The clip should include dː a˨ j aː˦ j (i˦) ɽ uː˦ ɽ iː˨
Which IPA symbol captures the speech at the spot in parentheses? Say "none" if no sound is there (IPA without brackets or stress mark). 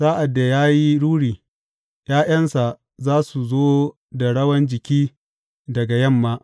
i˦